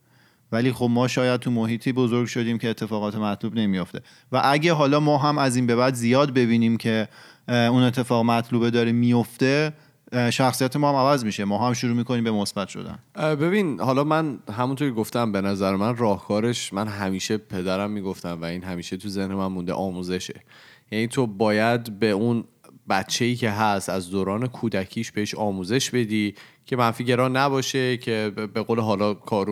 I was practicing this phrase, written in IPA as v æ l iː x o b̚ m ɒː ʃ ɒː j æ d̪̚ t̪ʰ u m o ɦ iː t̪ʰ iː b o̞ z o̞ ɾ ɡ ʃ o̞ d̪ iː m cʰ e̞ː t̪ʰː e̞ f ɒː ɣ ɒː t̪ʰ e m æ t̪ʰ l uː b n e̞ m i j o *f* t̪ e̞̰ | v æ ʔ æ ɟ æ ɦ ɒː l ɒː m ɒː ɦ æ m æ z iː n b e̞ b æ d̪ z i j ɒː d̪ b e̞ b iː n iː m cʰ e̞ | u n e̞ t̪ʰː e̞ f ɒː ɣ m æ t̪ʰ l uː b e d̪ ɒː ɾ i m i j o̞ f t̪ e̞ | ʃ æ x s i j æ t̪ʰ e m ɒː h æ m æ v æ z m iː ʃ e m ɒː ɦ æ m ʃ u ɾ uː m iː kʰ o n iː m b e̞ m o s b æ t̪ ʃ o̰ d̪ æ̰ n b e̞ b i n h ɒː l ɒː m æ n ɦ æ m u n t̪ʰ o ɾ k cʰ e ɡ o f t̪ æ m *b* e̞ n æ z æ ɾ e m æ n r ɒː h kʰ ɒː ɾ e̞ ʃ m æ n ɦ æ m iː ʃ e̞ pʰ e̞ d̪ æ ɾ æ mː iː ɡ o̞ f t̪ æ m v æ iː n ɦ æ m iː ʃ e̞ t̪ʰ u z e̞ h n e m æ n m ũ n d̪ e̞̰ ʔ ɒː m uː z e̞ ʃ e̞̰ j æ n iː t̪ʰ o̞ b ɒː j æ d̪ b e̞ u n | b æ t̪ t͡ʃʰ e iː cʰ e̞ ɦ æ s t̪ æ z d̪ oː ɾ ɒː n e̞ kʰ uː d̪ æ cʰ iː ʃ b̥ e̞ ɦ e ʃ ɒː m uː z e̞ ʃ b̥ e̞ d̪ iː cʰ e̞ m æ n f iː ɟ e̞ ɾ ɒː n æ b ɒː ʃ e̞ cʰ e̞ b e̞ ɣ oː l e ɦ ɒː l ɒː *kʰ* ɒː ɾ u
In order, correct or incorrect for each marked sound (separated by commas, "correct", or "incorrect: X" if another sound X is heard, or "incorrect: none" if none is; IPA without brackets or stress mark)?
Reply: correct, correct, correct